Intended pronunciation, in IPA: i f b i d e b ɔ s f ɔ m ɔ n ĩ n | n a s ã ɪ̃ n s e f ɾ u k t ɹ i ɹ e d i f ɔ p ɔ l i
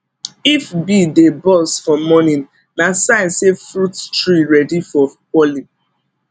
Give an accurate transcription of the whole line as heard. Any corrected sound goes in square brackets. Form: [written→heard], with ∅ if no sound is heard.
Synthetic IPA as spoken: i f b i d e b ɔ s f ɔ m ɔ n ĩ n | n a s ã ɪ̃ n s e f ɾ u [k→t] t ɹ i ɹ [e→ɛ] d i f ɔ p ɔ l i

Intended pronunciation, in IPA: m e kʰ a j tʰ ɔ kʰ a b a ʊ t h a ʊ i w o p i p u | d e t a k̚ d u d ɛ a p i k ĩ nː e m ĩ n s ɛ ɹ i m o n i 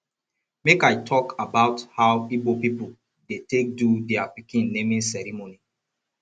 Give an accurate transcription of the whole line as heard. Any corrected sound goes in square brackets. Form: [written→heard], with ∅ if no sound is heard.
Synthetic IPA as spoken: m e [kʰ→k] a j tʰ ɔ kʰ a b a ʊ t h a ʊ i [w→b] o p i p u | d e t [a→e] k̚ d u d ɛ a p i k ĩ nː e m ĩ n s ɛ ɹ i m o n i

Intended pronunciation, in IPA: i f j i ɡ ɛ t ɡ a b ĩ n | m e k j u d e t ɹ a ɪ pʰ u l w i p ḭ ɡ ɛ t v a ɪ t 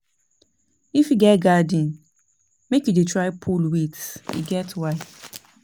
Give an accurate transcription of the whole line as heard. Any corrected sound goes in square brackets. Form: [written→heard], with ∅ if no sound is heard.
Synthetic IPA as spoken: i f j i ɡ ɛ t ɡ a [b→d] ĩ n | m e k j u d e t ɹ a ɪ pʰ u l w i [p→t] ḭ ɡ ɛ t [v→w] a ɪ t

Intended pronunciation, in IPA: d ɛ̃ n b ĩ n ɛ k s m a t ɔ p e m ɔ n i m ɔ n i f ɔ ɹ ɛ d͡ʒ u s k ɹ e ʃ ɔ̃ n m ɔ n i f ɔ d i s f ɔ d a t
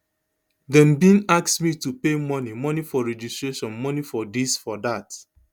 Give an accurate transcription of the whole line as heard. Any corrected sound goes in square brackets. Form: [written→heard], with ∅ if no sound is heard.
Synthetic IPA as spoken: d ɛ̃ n b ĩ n [ɛ→a] k s m [a→i] t [ɔ→u] p e m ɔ n i m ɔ n i f ɔ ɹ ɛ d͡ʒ u s [k→t] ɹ e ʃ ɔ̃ n m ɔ n i f ɔ d i s f ɔ d a t

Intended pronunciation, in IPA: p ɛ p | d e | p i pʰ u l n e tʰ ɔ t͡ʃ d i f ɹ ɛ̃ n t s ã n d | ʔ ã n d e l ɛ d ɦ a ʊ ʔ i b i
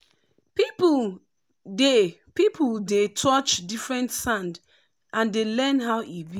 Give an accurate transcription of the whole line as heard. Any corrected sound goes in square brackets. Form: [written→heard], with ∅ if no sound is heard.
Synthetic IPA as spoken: p [ɛ→i] p | d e | p i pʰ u l [n→d] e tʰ ɔ t͡ʃ d i f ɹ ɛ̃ n t s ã n d | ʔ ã n d e l ɛ [d→n] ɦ a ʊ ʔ i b i

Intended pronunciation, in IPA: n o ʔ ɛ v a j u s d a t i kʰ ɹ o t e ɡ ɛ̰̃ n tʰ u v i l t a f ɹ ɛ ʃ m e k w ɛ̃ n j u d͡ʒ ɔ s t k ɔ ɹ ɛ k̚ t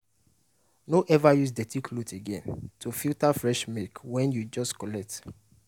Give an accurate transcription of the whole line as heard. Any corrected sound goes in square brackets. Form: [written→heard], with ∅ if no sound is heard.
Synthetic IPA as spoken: n o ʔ ɛ v a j u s d [a→ɛ] t i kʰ [ɹ→l] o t e ɡ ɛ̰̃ n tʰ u [v→f] i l t a f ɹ ɛ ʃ m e k w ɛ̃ n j u d͡ʒ ɔ s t k ɔ [ɹ→l] ɛ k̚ t

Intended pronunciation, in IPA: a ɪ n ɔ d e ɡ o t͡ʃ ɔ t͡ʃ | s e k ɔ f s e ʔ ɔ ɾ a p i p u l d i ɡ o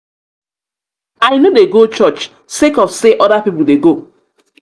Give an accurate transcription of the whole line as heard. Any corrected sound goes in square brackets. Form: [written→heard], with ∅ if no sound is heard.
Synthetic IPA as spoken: a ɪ n [ɔ→o] d e ɡ o t͡ʃ ɔ t͡ʃ | s e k ɔ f s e ʔ ɔ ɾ a p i p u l d [i→e] ɡ o

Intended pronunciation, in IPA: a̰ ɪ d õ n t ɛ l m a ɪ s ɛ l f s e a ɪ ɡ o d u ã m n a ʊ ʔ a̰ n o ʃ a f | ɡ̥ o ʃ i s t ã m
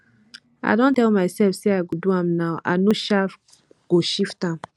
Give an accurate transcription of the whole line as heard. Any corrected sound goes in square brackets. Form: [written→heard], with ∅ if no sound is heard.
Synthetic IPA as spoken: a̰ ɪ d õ n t ɛ l m a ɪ s ɛ l f s e a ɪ ɡ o d u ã m n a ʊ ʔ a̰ n o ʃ a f | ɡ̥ o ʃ i [s→f] t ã m

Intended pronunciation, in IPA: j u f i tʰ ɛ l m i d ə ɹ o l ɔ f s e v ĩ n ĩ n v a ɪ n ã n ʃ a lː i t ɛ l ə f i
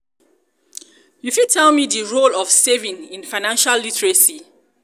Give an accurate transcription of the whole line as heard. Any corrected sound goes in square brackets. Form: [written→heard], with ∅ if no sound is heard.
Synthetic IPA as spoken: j u f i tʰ ɛ l m i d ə ɹ o l ɔ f s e v ĩ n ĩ n [v→f] a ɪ n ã n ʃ a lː i t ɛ [l→ɹ] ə [f→s] i

